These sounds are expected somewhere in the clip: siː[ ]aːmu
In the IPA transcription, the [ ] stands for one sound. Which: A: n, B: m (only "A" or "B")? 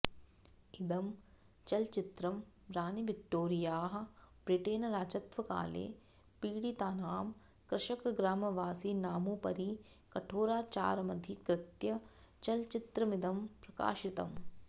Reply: A